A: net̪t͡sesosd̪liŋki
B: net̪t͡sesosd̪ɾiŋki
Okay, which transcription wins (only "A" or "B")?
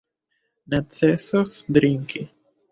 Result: B